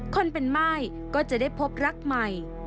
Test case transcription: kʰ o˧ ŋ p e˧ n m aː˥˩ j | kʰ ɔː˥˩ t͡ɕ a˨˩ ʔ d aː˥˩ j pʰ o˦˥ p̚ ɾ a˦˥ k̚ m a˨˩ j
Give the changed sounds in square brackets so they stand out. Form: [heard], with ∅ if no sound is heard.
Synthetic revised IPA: kʰ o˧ [n] p e˧ n m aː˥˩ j | [k] ɔː˥˩ t͡ɕ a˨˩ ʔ d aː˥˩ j pʰ o˦˥ p̚ ɾ a˦˥ k̚ m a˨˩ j